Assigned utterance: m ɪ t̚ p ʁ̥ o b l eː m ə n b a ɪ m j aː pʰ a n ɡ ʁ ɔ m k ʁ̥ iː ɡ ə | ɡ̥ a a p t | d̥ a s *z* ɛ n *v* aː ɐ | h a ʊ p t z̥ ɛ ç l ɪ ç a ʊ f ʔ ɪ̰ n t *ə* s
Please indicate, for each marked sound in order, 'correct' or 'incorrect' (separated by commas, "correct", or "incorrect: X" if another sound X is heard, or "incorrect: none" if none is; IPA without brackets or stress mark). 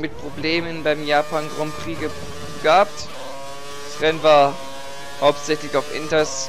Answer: incorrect: ʁ, correct, incorrect: ɐ